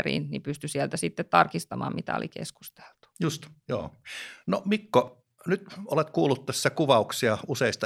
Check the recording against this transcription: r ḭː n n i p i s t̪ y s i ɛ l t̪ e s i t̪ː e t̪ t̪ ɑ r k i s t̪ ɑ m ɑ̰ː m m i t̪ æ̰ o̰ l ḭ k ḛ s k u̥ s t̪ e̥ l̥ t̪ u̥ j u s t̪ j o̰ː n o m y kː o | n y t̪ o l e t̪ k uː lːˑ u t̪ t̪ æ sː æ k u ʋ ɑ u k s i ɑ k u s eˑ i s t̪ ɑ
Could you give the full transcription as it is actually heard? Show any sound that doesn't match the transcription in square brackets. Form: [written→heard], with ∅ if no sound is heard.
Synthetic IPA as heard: r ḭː n n i p [i→y] s t̪ y s i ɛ l t̪ [e→æ] s i t̪ː e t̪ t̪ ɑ r k i s t̪ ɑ m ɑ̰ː m m i t̪ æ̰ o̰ l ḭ k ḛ s k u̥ s t̪ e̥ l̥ t̪ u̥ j u s t̪ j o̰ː n o m [y→i] kː o | n y t̪ o l e t̪ k uː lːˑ u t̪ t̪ æ sː æ k u ʋ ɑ u k s i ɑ [k→∅] u s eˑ i s t̪ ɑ